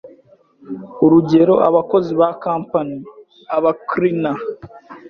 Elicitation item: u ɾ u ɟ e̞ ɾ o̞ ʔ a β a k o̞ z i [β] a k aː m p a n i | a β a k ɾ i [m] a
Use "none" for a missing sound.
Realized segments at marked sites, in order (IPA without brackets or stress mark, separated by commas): β, n